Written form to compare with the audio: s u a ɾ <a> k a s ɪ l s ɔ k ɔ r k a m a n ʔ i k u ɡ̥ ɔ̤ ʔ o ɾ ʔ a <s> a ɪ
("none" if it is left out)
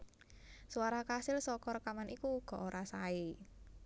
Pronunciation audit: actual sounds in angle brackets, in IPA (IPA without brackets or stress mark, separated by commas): a, s